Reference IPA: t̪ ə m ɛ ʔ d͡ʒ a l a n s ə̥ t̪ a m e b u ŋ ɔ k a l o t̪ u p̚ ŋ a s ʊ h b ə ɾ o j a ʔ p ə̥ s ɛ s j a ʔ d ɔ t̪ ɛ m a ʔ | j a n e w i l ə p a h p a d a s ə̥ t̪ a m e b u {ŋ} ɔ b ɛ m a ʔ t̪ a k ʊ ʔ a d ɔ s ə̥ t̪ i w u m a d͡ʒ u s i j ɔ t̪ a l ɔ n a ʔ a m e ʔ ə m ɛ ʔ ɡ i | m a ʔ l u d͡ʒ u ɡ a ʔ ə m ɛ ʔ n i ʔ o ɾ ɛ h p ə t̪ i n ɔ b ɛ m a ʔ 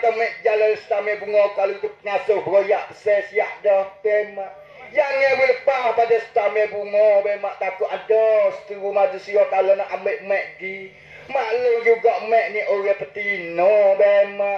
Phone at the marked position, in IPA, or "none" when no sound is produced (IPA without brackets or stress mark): ŋ